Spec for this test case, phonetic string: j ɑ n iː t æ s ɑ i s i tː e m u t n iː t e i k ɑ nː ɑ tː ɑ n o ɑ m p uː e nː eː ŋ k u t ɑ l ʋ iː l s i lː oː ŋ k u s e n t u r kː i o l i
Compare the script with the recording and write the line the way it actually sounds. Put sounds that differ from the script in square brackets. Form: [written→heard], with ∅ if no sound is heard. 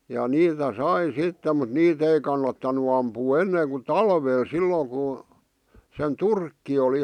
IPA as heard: j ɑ n iː t æ s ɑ i s i tː e m u t n iː t e i k ɑ nː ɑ tː ɑ n [o→u] ɑ m p uː e nː eː ŋ k u t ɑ l ʋ [iː→eː] l s i lː oː ŋ k u s e n t u r kː i o l i